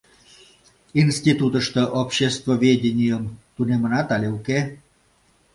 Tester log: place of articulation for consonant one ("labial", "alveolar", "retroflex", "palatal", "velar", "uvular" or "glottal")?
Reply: alveolar